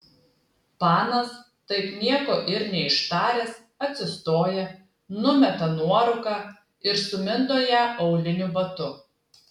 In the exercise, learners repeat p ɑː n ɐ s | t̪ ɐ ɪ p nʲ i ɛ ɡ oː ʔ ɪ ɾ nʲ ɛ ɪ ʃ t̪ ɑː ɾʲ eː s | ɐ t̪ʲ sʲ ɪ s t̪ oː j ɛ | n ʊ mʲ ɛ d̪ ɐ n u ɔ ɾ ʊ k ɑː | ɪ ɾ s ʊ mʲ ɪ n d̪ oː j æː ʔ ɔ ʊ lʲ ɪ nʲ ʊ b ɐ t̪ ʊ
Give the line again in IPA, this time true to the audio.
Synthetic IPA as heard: p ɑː n ɐ s | t̪ ɐ ɪ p nʲ i ɛ k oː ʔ ɪ ɾ nʲ ɛ ɪ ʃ t̪ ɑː ɾʲ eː s | ɐ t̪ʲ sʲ ɪ s t̪ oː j ɛ | n ʊ mʲ ɛ t̪ ɐ n u ɔ ɾ ʊ k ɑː | ɪ ɾ s ʊ mʲ ɪ n d̪ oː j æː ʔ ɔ ʊ lʲ ɪ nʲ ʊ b ɐ t̪ ʊ